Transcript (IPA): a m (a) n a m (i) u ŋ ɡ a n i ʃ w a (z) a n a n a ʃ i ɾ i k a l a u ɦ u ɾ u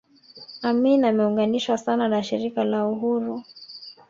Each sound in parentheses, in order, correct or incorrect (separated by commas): incorrect, incorrect, incorrect